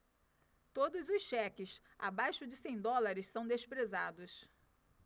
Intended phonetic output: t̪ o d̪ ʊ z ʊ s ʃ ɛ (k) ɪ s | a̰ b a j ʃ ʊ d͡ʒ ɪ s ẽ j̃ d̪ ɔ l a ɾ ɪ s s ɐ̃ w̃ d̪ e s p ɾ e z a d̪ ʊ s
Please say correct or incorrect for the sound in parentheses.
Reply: correct